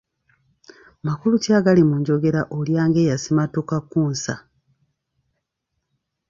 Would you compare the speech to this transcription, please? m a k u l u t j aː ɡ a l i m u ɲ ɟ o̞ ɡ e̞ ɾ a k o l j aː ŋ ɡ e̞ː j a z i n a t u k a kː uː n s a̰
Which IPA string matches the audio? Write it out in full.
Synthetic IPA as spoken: m a k u l u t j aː ɡ a l i m u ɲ ɟ o̞ ɡ e̞ ɾ a ʔ o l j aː ŋ ɡ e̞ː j a s i m a t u k a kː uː n s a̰

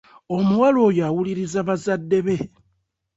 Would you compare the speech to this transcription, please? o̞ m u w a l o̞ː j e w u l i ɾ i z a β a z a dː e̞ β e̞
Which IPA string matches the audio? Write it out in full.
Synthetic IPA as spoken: o̞ m u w a l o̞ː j a w u l i ɾ i z a β a z a dː e̞ β e̞

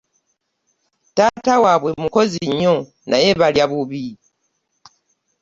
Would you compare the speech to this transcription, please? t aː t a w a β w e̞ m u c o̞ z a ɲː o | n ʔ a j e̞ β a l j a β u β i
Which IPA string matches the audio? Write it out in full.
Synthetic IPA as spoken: t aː t a w a β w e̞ m u k o̞ z i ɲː o | n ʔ a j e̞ β a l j a β u β i

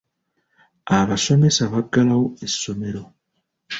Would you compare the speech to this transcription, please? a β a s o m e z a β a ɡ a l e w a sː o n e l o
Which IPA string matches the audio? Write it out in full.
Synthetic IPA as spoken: a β a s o m e s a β a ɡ a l a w e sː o m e ɾ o

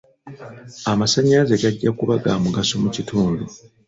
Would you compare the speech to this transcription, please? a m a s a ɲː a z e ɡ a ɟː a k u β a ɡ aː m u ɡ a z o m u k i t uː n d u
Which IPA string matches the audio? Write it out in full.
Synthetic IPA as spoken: a m a s a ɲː a z e ɡ a ɟː a k u β a ɡ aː m u ɡ a s o m u c i t uː n d u

